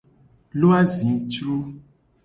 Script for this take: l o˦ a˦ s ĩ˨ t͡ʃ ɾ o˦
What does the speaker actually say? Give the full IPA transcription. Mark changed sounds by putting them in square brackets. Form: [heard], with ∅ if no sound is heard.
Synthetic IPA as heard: l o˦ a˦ [z] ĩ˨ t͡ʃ ɾ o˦